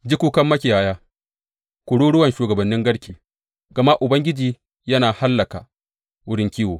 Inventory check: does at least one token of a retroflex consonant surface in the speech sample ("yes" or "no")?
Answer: yes